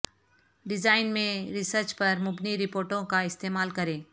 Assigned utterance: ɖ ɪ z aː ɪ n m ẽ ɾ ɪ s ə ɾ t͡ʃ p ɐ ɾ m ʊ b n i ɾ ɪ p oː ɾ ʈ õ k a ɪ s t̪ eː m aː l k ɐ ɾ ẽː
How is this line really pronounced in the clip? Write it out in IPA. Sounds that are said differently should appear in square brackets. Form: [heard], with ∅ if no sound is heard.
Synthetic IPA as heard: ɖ ɪ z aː ɪ n m ẽ ɾ ɪ s ə ɾ t͡ʃ p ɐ ɾ m ʊ b n i ɾ ɪ p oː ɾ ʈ õ k a ɪ s t̪ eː m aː l k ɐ ɾ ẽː